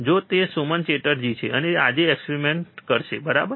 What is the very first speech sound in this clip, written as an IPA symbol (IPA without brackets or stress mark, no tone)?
d͡ʒ